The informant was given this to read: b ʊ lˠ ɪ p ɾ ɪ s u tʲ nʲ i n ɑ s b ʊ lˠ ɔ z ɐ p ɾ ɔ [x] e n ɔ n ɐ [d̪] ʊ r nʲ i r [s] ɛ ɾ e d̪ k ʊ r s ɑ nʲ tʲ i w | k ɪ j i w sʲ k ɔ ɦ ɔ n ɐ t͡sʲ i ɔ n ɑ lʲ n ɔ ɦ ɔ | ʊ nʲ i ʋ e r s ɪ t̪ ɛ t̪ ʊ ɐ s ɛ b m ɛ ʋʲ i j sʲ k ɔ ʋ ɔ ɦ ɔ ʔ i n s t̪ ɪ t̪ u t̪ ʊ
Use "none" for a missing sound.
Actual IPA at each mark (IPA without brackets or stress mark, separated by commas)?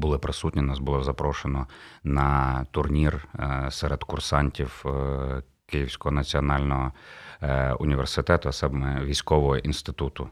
ʃ, t̪, s